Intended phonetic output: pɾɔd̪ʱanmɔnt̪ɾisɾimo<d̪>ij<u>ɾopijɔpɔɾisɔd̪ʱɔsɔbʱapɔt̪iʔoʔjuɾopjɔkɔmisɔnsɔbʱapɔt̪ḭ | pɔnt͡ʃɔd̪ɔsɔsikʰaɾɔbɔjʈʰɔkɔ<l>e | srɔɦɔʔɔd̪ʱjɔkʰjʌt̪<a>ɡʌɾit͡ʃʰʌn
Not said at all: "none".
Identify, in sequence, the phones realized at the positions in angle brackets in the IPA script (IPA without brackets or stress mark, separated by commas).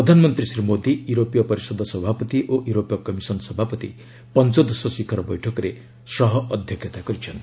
d̪, u, ɾ, a